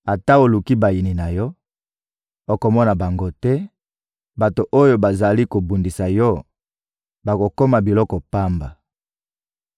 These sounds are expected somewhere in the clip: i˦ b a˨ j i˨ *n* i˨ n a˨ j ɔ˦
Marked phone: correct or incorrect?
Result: correct